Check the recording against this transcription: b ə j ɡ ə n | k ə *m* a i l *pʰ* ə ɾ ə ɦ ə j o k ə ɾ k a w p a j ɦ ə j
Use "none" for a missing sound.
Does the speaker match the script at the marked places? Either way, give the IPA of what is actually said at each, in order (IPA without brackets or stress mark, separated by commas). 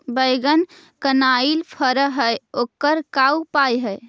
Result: n, pʰ